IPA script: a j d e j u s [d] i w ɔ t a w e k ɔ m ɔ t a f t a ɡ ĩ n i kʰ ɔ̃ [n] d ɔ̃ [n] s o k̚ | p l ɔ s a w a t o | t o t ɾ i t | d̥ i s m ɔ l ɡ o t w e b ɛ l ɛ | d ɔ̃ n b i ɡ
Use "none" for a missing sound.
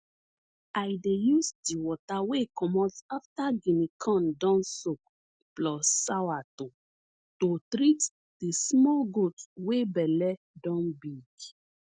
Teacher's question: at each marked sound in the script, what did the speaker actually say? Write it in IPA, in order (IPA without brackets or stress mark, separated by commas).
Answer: d, n, n